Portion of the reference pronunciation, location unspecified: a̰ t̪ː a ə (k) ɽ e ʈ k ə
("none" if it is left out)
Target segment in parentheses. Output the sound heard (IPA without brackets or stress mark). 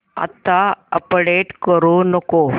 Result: p